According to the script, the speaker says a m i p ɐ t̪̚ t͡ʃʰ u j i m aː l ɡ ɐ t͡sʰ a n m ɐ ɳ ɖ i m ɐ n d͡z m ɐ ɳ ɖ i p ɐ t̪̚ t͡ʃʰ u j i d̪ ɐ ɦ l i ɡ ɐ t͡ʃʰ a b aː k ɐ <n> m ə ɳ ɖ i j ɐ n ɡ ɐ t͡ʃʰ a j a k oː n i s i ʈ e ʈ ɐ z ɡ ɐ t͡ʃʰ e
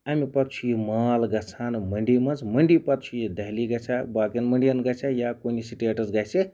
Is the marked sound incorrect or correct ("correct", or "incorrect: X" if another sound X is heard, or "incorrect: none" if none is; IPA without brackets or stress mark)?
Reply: correct